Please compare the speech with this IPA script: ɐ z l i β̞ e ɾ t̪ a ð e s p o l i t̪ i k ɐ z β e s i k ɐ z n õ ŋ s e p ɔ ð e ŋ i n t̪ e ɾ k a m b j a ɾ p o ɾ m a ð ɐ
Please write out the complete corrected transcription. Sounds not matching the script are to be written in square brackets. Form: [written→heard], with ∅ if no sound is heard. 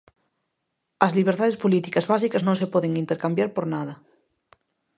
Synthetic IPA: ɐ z l i β̞ e ɾ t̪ a ð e s p o l i t̪ i k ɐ z β [e→a] s i k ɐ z n õ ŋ s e p ɔ ð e ŋ i n t̪ e ɾ k a m b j a ɾ p o ɾ [m→n] a ð ɐ